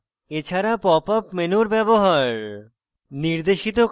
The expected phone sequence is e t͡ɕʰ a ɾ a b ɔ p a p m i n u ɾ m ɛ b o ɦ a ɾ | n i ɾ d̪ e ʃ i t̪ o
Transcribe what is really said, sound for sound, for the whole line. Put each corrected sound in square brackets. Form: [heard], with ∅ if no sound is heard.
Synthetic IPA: e t͡ɕʰ a ɾ a [p] ɔ p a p m [e] n u ɾ [b] ɛ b o ɦ a ɾ | n i ɾ d̪ e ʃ i t̪ o